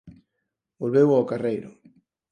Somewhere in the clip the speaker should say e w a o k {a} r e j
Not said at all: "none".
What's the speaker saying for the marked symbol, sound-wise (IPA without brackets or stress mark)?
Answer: a